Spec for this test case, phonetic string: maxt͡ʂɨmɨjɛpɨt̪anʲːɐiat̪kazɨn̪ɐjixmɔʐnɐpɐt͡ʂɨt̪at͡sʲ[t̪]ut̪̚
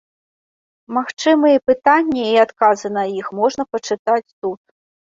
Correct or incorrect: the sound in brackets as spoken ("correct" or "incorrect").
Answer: correct